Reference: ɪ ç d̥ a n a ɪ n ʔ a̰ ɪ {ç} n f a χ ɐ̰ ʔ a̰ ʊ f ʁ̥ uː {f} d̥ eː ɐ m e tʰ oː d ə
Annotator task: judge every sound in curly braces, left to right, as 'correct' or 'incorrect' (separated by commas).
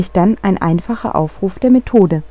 incorrect, correct